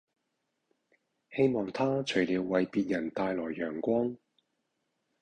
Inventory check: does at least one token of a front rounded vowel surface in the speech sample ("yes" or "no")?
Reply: yes